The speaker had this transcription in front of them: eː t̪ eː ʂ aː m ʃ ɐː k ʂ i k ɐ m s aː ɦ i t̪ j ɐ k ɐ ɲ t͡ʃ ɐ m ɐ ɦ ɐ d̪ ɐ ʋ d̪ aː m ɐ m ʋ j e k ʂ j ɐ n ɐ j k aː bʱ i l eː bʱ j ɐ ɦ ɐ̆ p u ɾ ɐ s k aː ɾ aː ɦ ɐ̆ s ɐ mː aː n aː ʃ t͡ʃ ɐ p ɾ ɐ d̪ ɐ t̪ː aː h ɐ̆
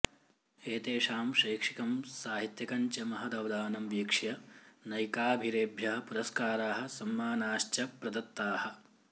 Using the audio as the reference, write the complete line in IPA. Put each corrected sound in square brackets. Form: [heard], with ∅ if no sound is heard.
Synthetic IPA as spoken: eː t̪ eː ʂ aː m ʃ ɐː k ʂ i k ɐ m s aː ɦ i t̪ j ɐ k ɐ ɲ t͡ʃ ɐ m ɐ ɦ ɐ d̪ ɐ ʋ d̪ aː [n] ɐ m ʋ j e k ʂ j ɐ n ɐ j k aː bʱ i [ɾ] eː bʱ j ɐ ɦ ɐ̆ p u ɾ ɐ s k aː ɾ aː ɦ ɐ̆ s ɐ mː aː n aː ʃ t͡ʃ ɐ p ɾ ɐ d̪ ɐ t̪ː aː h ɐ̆